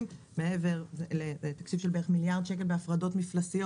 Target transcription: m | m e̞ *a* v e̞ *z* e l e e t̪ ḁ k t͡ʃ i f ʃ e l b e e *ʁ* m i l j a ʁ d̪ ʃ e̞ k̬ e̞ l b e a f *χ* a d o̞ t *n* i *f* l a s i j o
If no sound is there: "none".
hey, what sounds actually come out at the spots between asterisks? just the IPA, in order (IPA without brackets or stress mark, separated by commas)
e, ʁ, χ, ʁ, m, f